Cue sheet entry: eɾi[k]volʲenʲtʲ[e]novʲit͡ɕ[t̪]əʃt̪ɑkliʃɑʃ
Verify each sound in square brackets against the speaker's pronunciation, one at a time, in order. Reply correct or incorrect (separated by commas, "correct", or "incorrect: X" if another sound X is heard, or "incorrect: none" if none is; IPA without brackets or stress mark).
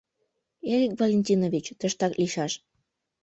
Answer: correct, incorrect: i, correct